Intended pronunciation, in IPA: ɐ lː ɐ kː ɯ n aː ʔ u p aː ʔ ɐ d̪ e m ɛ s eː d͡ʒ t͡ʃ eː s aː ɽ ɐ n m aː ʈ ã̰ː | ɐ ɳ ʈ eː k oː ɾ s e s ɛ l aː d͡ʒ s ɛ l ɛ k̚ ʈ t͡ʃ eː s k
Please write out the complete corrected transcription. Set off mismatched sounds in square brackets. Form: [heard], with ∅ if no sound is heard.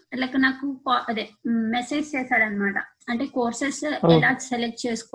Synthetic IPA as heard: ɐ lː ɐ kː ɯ n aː [k] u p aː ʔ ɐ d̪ e m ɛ s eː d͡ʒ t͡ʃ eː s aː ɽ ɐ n m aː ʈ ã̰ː | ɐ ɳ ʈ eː k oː ɾ s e s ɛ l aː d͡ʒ s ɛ l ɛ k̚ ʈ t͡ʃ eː s k